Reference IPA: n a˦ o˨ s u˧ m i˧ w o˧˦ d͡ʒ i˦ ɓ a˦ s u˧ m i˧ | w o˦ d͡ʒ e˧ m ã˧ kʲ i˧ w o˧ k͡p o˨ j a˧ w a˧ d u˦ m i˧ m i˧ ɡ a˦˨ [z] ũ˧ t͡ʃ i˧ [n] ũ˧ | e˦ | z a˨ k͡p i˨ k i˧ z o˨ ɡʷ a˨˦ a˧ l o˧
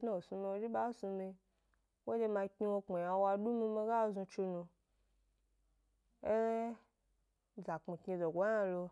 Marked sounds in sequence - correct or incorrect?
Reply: correct, correct

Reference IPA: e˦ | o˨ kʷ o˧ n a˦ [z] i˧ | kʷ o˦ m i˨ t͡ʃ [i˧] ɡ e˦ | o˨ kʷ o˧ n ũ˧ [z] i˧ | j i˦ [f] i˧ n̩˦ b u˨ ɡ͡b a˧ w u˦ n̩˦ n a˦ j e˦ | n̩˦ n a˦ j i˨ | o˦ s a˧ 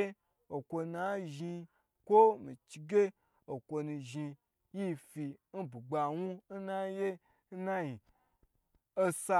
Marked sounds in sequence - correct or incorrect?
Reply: incorrect: ʒ, correct, incorrect: ʒ, correct

